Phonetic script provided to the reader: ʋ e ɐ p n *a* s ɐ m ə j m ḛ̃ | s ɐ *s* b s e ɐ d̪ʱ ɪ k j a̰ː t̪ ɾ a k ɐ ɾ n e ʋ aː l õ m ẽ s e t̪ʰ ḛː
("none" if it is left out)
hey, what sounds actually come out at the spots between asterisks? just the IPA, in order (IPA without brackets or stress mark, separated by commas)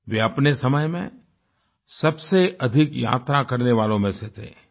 e, none